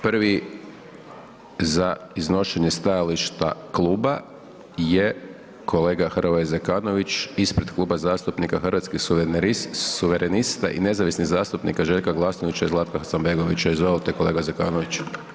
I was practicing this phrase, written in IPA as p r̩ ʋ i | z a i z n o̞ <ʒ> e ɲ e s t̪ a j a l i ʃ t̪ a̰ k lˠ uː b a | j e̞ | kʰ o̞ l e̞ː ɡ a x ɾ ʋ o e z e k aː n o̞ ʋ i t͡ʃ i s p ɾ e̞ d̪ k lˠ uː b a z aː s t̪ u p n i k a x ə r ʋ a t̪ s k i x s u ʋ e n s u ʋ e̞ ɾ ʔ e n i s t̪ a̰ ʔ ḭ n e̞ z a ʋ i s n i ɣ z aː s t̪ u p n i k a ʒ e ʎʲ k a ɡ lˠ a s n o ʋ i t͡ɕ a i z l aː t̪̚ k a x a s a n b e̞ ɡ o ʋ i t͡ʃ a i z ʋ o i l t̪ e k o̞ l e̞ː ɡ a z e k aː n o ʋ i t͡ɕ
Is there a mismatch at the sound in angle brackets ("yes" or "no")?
yes